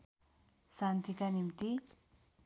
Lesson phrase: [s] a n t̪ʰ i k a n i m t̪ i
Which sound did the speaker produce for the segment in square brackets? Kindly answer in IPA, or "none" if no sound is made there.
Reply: s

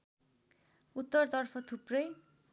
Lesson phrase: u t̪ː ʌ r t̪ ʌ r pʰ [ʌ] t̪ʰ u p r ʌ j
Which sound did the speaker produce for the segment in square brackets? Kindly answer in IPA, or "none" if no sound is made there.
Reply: ʌ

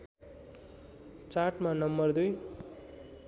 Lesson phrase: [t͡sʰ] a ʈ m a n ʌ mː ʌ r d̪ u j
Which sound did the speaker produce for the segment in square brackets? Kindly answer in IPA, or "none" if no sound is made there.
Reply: t͡s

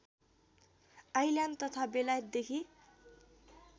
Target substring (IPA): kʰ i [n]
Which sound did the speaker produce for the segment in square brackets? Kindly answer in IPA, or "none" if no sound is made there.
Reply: none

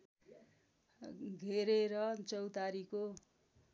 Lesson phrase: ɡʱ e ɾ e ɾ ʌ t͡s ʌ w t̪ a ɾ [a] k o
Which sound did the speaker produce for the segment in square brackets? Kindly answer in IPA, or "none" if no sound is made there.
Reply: i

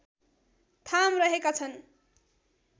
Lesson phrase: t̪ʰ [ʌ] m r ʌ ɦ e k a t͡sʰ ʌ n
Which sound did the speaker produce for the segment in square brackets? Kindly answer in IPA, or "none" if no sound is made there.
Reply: a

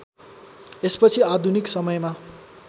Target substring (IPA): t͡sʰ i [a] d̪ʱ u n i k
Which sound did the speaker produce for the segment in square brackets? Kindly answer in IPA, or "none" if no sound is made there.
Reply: a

